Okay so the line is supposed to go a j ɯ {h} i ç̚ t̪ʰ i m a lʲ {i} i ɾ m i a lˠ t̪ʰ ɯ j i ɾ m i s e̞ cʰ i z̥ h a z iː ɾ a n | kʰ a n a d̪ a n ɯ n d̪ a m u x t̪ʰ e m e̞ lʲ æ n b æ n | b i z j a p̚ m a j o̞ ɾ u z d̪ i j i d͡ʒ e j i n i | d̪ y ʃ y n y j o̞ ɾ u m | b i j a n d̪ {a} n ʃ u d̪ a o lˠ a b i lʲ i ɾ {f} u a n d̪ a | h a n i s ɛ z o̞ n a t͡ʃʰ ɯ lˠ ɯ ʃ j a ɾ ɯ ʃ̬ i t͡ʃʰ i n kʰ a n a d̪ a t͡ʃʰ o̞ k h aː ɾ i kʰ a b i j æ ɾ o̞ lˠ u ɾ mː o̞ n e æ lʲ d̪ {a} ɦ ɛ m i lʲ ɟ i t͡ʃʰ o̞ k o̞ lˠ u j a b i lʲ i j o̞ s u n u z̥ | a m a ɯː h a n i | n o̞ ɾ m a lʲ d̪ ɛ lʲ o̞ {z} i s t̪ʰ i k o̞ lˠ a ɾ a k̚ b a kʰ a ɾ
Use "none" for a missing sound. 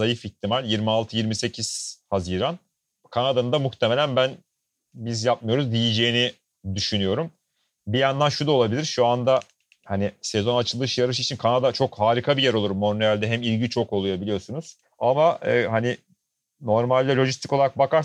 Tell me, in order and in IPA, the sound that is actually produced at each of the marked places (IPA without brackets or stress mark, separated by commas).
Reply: f, j, a, ʃ, ɛ, ʒ